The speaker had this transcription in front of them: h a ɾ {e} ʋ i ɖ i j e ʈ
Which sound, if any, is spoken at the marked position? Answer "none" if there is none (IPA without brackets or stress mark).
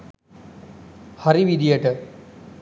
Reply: i